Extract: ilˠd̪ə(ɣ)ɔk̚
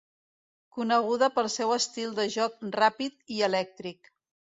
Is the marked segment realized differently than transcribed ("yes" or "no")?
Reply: yes